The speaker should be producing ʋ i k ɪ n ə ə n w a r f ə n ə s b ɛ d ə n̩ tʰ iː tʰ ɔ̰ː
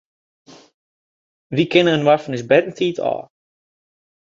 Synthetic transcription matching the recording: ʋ i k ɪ n ə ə n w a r f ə n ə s b ɛ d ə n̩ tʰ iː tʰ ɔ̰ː